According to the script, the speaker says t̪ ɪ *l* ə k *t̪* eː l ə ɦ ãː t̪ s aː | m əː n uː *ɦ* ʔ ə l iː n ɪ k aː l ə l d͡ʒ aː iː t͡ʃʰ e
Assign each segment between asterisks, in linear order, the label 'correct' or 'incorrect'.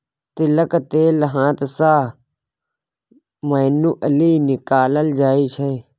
correct, correct, incorrect: none

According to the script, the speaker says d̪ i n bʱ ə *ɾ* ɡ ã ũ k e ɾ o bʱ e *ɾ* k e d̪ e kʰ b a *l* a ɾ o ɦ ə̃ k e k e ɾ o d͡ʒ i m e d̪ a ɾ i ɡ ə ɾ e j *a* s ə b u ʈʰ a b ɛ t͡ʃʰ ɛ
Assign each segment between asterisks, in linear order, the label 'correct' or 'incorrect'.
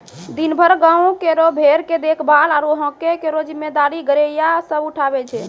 correct, correct, correct, correct

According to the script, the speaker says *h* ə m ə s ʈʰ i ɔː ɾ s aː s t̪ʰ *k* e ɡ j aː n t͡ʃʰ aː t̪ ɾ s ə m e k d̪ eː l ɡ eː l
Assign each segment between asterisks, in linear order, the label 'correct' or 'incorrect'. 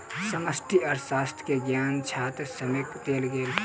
incorrect: s, correct

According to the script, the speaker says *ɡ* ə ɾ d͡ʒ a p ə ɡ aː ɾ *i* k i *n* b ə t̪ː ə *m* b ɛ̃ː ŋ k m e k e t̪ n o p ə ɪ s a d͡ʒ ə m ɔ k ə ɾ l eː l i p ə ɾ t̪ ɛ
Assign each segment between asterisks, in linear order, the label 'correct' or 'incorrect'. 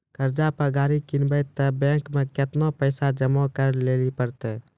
incorrect: k, correct, correct, incorrect: none

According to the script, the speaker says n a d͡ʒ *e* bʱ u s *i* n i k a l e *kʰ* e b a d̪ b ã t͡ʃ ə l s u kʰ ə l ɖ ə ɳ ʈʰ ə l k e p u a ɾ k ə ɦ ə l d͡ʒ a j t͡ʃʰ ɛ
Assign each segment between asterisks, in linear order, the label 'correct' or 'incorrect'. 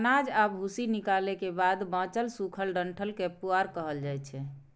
incorrect: a, correct, incorrect: k

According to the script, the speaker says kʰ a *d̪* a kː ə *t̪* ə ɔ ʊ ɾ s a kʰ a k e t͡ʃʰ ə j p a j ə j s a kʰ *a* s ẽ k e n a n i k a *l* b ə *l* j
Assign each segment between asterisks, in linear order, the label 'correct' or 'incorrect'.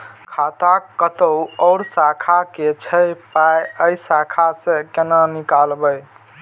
incorrect: t̪, correct, correct, correct, incorrect: none

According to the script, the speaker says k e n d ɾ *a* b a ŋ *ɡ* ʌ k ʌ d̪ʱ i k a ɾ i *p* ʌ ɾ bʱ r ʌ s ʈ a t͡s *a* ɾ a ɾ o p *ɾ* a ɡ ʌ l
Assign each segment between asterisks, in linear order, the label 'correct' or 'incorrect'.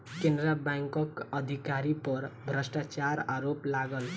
correct, incorrect: k, correct, correct, incorrect: l

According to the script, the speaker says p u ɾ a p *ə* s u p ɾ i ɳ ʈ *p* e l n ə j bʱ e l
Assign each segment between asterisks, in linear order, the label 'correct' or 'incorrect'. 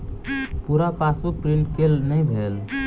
incorrect: a, incorrect: k

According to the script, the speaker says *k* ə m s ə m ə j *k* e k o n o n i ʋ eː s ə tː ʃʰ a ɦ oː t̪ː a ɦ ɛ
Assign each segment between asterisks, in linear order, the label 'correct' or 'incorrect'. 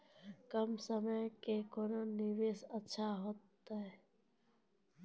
correct, correct

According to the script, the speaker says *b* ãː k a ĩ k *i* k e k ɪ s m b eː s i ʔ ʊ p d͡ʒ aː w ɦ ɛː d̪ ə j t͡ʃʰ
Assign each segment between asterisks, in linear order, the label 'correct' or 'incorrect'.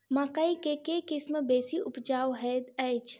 incorrect: m, incorrect: e

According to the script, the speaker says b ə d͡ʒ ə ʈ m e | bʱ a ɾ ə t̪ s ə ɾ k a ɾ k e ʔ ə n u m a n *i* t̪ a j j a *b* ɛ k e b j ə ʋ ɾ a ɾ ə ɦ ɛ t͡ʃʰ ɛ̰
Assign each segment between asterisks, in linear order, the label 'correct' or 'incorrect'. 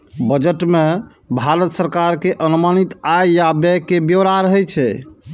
correct, correct

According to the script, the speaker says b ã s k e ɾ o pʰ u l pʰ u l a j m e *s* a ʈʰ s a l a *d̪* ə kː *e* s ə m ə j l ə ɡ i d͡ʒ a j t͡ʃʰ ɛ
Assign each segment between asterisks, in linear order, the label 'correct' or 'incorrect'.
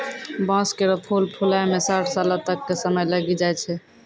correct, incorrect: t̪, correct

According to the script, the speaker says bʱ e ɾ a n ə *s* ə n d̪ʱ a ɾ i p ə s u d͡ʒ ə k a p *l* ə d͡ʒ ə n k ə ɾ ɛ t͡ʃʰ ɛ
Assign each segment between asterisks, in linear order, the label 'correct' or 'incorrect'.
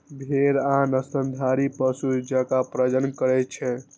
correct, incorrect: ɾ

